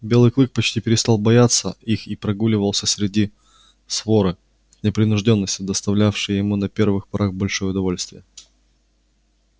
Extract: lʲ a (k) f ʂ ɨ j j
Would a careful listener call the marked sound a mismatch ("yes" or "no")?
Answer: yes